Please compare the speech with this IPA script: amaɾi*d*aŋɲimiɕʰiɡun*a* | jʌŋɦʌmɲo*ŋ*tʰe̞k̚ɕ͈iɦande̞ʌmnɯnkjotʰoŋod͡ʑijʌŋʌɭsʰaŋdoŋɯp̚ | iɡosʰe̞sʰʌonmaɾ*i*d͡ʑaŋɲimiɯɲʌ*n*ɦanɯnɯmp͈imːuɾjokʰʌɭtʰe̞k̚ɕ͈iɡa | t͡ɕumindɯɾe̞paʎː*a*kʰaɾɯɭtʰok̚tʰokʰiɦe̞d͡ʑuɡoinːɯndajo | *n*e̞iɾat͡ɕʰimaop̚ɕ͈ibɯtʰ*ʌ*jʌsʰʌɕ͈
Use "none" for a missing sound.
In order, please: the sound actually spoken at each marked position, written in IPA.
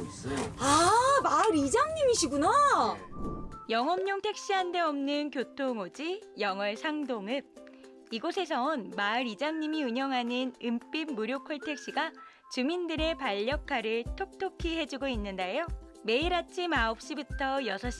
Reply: d͡ʑ, a, ŋ, i, ŋ, ʌ, m, ʌ

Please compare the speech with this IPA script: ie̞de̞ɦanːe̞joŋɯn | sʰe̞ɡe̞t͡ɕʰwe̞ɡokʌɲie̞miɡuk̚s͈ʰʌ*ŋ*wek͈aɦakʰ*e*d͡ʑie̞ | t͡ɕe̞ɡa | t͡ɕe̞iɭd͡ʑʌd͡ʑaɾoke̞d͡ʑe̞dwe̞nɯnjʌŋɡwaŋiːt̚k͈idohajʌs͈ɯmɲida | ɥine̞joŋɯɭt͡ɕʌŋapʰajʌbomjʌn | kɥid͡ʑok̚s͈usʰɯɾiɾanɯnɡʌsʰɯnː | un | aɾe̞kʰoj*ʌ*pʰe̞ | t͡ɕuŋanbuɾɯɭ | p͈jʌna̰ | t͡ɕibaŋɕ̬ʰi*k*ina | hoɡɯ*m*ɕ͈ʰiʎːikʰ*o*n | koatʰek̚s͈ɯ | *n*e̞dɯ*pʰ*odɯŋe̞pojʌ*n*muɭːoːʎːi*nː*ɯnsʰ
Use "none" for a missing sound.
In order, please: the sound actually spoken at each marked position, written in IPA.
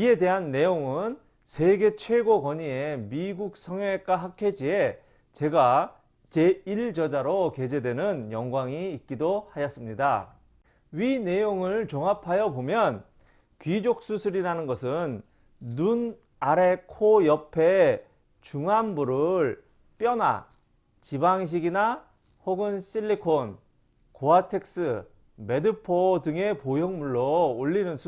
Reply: ŋ, e, ʌ, ɡ, n, o, m, pʰ, ŋ, n

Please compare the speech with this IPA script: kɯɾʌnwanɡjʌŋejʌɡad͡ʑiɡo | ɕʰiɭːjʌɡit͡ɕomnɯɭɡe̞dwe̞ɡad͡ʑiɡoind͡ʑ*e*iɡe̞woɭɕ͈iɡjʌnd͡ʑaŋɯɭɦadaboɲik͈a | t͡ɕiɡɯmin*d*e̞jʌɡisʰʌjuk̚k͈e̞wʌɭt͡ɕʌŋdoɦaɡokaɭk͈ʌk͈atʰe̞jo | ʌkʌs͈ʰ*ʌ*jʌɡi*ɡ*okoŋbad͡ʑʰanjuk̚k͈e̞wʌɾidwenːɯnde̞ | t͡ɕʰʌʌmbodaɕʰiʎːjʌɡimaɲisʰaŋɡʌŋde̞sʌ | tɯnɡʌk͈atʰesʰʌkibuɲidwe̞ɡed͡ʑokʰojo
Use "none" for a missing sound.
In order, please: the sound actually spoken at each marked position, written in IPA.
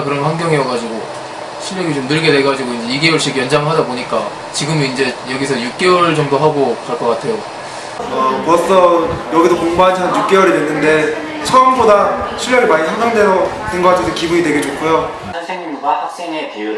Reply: e, d͡ʑ, ʌ, d

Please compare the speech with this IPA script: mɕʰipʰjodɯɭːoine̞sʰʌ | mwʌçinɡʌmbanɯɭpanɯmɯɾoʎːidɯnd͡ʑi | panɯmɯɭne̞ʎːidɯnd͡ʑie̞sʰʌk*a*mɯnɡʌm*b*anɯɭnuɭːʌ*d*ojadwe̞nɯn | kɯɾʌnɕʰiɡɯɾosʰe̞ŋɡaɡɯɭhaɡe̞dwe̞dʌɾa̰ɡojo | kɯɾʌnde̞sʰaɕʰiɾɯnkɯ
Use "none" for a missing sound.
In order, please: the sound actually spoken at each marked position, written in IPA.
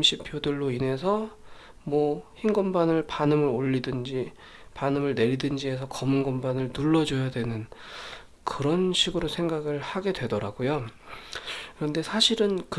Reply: ʌ, b, d͡ʑ

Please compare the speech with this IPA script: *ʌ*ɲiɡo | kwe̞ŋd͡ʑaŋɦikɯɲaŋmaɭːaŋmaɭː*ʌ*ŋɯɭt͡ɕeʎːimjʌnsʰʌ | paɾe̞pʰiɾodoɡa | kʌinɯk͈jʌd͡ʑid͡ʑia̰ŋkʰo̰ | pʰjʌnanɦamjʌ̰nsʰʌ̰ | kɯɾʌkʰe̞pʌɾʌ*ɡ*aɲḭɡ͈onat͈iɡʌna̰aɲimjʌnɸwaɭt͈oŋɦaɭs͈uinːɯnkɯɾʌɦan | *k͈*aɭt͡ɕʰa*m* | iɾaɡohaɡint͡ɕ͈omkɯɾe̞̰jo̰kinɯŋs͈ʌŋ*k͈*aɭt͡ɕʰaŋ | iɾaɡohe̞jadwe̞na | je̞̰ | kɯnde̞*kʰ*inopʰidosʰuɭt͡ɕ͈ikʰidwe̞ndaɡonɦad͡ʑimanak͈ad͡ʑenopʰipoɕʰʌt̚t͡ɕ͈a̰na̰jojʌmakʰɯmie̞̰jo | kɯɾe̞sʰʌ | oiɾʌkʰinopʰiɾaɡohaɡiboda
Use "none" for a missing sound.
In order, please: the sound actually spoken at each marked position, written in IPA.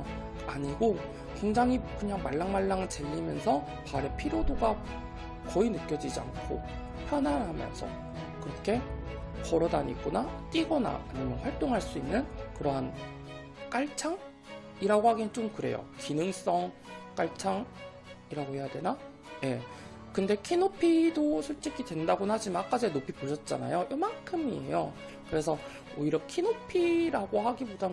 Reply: a, a, d, k͈, ŋ, k͈, kʰ

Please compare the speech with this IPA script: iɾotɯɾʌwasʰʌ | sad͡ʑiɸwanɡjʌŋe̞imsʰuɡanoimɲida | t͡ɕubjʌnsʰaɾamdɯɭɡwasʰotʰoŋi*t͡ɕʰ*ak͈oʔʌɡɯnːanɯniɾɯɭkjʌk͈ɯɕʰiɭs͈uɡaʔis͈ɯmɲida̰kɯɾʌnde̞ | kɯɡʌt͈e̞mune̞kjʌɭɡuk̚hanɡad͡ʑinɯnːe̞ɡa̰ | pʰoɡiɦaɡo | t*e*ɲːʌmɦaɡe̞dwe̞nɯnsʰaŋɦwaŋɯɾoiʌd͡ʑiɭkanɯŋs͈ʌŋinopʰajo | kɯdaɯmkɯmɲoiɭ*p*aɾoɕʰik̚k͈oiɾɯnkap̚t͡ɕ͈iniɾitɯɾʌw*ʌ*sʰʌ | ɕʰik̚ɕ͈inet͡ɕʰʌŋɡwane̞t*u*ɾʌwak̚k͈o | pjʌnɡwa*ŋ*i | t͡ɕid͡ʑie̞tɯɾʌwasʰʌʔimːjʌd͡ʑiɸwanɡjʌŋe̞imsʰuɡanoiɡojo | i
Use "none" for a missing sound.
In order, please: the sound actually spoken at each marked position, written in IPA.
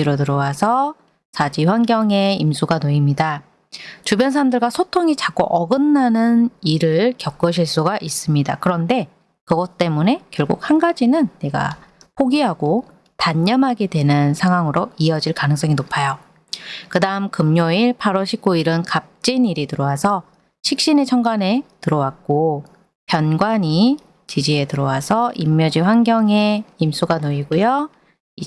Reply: t͡ɕ, a, pʰ, a, ɯ, ɲ

